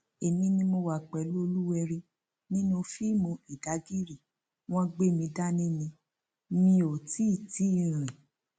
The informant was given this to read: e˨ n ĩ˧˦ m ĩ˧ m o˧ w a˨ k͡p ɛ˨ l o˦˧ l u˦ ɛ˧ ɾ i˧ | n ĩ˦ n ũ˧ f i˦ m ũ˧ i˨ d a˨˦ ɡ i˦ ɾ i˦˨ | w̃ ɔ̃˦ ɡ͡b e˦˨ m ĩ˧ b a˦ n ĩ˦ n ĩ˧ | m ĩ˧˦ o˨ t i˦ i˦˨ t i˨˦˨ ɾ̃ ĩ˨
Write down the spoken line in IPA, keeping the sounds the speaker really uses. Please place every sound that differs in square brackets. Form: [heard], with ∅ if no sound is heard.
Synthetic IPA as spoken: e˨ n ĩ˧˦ [n] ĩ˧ m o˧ w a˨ k͡p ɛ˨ l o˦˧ l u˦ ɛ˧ ɾ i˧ | n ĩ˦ n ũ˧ f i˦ m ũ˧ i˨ d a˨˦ ɡ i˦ ɾ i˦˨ | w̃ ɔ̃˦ ɡ͡b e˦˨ m ĩ˧ [d] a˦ n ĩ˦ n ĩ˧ | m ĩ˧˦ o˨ t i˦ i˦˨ t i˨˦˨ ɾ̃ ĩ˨